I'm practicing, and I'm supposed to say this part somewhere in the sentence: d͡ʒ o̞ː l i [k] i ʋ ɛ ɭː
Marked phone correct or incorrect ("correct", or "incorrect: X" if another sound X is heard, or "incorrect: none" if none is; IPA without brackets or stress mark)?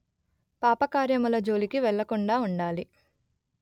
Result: correct